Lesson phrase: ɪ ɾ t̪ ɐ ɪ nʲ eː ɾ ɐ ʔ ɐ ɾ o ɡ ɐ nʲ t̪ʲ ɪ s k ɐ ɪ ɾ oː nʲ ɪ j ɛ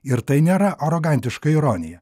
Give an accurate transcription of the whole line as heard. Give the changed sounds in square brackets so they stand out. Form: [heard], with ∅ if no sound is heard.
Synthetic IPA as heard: ɪ ɾ t̪ ɐ ɪ nʲ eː ɾ ɐ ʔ ɐ ɾ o ɡ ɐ nʲ t̪ʲ ɪ [ʃ] k ɐ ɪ ɾ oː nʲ ɪ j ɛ